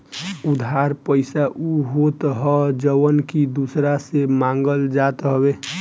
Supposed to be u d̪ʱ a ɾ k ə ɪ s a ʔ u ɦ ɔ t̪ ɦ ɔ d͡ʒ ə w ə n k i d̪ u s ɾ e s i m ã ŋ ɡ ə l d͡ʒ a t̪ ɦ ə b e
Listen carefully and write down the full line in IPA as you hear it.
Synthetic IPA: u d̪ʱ a ɾ p ə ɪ s a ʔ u ɦ o t̪ ɦ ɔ d͡ʒ ə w ə n k i d̪ u s ɾ a s e m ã ŋ ɡ ə l d͡ʒ a t̪ ɦ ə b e